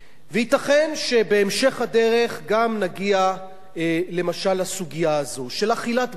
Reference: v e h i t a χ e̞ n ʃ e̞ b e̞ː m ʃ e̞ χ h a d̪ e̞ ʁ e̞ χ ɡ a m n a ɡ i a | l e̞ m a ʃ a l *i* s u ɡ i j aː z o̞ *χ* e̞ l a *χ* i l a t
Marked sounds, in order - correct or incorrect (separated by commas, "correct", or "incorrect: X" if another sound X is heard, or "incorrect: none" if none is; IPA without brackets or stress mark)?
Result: incorrect: a, incorrect: ʃ, correct